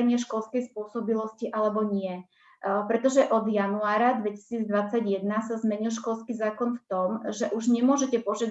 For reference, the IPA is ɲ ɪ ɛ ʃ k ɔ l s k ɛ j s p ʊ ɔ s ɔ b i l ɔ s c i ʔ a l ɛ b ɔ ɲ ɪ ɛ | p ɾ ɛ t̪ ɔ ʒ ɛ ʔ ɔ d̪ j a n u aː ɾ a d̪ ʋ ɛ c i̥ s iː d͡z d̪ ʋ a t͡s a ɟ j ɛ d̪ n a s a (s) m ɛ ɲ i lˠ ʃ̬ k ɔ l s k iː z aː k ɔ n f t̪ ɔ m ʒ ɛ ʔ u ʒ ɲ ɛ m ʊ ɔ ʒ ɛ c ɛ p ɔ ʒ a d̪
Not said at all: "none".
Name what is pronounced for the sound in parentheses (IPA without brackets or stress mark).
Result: z